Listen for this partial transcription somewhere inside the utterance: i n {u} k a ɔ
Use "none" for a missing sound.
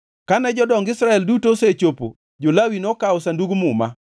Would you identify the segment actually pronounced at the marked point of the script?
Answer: ɔ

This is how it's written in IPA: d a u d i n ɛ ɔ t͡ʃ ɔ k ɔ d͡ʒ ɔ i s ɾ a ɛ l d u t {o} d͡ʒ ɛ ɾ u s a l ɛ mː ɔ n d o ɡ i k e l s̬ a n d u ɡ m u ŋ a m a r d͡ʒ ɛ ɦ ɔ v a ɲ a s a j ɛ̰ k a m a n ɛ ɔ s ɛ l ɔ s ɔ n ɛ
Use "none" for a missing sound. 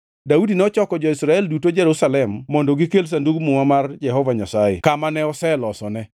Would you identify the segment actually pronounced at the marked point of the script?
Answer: o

